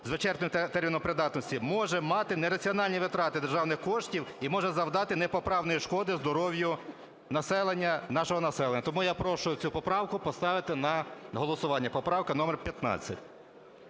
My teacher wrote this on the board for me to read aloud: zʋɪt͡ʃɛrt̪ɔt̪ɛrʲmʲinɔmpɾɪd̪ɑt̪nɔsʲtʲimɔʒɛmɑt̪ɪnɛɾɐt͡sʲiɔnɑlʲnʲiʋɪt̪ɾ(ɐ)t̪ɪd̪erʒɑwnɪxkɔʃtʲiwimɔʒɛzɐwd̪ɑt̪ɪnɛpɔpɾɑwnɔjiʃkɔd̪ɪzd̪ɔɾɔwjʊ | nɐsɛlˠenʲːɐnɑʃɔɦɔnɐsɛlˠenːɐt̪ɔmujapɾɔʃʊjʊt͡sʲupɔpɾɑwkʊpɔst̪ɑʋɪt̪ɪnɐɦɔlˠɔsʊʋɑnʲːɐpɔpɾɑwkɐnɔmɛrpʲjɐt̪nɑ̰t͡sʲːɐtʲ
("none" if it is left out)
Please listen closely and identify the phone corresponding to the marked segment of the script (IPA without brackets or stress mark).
ɑ